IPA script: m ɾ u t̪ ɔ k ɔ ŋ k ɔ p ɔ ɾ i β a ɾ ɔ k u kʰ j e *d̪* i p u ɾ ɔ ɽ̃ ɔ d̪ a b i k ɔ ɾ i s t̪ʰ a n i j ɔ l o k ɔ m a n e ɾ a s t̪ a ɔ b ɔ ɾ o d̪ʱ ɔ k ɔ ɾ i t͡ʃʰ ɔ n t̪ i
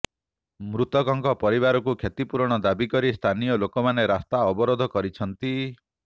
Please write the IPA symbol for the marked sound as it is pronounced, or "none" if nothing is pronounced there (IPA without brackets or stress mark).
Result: t̪